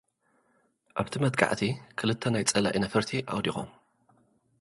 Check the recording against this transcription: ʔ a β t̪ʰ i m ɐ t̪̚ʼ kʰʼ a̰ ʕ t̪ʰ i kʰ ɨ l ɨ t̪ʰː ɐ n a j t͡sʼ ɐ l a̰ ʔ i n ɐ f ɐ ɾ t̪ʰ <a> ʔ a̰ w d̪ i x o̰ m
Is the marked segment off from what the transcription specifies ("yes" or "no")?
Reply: yes